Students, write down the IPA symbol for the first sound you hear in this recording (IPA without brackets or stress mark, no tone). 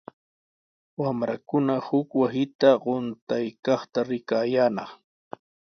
w